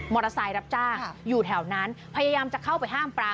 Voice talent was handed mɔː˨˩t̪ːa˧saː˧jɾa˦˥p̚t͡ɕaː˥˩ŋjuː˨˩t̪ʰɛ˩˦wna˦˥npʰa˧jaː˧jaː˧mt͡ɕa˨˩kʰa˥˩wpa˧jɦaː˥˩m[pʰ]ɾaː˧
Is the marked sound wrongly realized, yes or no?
yes